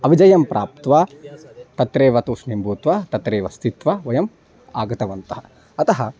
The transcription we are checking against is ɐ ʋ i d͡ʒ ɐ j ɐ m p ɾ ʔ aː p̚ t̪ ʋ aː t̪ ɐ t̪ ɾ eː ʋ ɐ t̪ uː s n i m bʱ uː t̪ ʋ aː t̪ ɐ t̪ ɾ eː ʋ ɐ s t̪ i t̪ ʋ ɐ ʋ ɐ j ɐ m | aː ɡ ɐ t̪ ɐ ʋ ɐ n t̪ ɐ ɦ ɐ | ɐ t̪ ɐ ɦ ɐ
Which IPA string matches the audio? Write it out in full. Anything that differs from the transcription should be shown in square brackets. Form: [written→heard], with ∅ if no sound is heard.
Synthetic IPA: ɐ ʋ i d͡ʒ ɐ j ɐ m p ɾ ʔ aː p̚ t̪ ʋ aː t̪ ɐ t̪ ɾ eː ʋ ɐ t̪ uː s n i m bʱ uː t̪ ʋ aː t̪ ɐ t̪ ɾ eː ʋ ɐ s t̪ i t̪ ʋ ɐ ʋ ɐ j ɐ m | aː ɡ ɐ t̪ ɐ ʋ ɐ n t̪ ɐ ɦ ɐ | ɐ t̪ ɐ ɦ ɐ